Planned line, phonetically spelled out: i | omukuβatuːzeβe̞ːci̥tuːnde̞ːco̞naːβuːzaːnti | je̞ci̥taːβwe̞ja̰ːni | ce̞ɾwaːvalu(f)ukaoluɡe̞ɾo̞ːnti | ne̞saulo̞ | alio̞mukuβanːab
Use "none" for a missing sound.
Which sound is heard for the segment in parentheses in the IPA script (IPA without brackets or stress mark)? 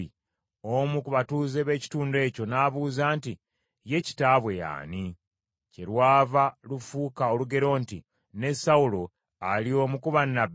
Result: f